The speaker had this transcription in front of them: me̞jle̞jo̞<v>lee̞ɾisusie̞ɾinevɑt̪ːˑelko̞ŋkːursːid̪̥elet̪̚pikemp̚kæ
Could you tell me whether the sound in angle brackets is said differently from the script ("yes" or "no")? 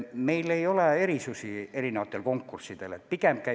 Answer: yes